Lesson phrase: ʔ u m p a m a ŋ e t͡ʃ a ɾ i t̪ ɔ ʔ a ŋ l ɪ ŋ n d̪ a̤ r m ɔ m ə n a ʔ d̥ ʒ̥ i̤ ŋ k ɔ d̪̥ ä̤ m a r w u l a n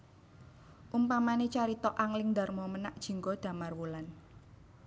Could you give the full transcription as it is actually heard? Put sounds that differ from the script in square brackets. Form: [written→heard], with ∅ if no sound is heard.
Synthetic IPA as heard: ʔ u m p a m a [ŋ→n] e t͡ʃ a ɾ i t̪ ɔ ʔ a ŋ l ɪ ŋ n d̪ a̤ r m ɔ m ə n a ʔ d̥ ʒ̥ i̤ ŋ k ɔ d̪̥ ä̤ m a r w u l a n